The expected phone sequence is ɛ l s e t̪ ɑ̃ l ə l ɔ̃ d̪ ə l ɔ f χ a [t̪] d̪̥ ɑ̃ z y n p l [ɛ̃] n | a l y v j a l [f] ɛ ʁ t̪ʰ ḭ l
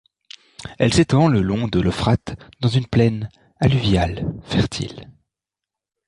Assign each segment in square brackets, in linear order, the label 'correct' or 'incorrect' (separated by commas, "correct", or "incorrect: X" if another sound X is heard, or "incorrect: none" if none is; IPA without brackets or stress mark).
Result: correct, incorrect: ɛ, correct